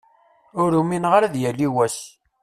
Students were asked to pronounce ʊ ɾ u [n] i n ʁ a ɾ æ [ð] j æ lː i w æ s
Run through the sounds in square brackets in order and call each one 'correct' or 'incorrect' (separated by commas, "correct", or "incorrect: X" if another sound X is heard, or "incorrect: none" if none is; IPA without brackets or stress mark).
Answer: incorrect: m, correct